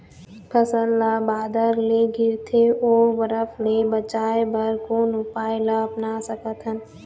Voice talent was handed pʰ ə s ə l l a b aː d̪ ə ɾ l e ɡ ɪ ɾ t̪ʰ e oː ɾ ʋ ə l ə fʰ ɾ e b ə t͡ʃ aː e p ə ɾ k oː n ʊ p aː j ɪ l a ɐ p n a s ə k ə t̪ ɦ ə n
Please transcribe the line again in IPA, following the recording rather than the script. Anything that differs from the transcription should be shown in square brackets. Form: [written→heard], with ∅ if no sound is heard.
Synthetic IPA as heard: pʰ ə s ə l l a b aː d̪ ə ɾ l e ɡ ɪ ɾ t̪ʰ e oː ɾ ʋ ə [l→ɾ] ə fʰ [ɾ→l] e b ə t͡ʃ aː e [p→b] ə ɾ k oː n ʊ p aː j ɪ l a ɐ p n a s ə k ə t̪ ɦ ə n